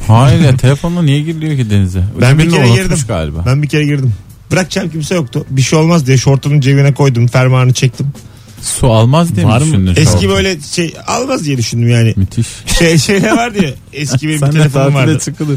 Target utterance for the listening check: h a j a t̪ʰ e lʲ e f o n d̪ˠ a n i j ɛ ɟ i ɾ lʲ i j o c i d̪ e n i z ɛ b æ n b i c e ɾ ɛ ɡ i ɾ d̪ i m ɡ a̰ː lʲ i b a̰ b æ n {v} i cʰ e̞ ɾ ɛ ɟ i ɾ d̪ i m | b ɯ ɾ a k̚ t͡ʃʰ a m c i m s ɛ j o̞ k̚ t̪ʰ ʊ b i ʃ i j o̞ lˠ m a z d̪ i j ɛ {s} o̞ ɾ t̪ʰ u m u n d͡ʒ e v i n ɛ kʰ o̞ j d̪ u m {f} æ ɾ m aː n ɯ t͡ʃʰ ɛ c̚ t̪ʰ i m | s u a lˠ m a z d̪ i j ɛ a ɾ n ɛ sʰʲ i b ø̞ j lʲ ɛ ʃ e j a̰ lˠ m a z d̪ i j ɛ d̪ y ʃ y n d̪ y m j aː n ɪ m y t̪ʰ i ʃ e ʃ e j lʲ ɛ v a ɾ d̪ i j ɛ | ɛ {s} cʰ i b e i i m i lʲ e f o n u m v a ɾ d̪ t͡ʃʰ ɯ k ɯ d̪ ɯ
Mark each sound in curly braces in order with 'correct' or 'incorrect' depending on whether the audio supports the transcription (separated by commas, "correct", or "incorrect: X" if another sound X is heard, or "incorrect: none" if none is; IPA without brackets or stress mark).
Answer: incorrect: b, incorrect: ʃ, correct, correct